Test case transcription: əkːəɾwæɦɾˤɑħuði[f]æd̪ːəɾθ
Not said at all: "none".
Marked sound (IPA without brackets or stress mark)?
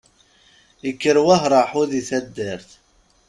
θ